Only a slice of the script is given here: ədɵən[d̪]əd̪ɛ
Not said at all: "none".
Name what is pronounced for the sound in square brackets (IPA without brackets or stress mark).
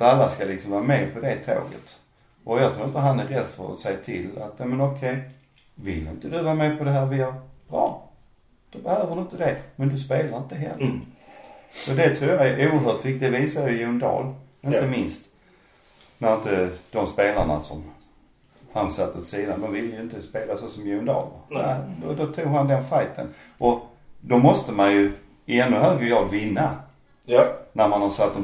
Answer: t̪